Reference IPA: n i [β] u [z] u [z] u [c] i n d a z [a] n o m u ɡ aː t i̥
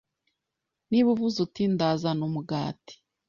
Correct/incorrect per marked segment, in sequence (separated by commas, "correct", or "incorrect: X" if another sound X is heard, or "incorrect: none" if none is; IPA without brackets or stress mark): correct, incorrect: v, correct, incorrect: t, correct